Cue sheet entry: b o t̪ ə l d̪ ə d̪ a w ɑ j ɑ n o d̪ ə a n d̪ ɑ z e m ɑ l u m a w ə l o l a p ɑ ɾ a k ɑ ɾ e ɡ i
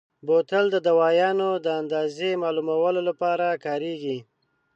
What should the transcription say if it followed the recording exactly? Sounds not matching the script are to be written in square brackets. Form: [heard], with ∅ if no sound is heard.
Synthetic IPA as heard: b o t̪ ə l d̪ ə d̪ a w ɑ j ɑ n o d̪ ə a n d̪ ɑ z e m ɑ l u m a w ə l o l a p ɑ ɾ a k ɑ ɾ e ɡ i

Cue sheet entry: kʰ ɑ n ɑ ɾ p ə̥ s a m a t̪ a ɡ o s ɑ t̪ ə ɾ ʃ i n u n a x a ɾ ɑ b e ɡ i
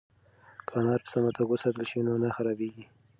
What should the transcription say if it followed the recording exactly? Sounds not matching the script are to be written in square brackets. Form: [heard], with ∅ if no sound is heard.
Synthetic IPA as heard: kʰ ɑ n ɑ ɾ p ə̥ s a m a t̪ a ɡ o s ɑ t̪ ə [l] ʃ i n [o] n a x a ɾ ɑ b e ɡ i

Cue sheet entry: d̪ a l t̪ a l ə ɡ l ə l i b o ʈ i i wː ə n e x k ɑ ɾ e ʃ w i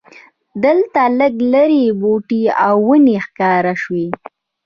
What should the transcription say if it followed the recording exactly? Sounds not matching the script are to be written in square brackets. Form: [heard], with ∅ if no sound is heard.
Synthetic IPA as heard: d̪ [ə] l t̪ a l ə ɡ l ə [ɾ] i b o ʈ i [a] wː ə n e x k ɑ ɾ [a] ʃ w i

